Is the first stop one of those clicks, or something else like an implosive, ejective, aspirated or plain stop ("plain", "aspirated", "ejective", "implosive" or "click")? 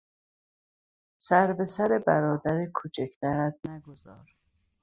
plain